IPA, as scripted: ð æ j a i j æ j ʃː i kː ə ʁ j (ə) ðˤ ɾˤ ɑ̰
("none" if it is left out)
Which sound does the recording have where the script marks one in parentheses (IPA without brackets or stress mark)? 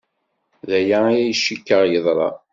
ə